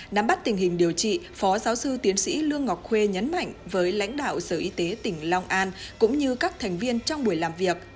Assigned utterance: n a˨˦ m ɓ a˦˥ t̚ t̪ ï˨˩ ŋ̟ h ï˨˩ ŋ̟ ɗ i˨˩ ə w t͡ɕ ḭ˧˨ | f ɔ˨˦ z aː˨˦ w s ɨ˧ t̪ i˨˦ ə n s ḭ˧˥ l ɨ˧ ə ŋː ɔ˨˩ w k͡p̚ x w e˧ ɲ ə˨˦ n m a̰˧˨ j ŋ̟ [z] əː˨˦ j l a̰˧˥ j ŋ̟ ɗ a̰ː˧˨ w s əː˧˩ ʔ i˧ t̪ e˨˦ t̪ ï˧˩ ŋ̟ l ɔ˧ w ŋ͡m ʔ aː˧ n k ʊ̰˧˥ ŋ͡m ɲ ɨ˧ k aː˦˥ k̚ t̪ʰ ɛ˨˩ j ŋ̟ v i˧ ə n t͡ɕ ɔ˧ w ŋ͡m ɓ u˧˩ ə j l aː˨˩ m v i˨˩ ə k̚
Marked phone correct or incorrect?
incorrect